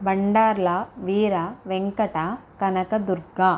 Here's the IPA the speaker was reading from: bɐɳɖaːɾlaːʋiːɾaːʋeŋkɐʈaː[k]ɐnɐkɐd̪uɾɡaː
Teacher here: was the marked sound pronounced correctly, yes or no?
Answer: yes